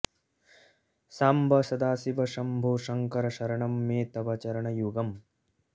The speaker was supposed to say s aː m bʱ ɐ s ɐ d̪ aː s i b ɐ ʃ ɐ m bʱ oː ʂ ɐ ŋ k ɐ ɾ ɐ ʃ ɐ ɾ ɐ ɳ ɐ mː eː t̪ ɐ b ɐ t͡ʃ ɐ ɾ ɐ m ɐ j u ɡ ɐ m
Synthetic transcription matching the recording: s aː m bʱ ɐ s ɐ d̪ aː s i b ɐ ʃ ɐ m bʱ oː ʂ ɐ ŋ k ɐ ɾ ɐ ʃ ɐ ɾ ɐ ɳ ɐ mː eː t̪ ɐ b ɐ t͡ʃ ɐ ɾ ɐ ɳ ɐ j u ɡ ɐ m